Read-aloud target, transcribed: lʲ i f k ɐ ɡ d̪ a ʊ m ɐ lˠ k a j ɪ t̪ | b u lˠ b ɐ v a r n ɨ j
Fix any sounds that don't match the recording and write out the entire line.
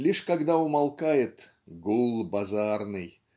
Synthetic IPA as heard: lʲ i ʂ k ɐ ɡ d̪ a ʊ m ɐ lˠ k a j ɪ t̪ | ɡ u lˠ b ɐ z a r n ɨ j